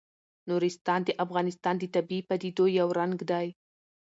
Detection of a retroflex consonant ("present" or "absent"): absent